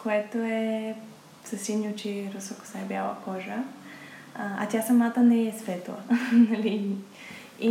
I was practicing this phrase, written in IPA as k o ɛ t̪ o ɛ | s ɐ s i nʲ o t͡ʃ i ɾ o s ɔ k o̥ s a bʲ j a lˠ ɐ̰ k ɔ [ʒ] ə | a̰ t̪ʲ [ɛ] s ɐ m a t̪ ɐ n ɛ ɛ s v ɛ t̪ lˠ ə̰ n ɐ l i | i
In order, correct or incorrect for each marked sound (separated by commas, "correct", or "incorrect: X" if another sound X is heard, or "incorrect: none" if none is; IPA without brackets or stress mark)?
correct, incorrect: a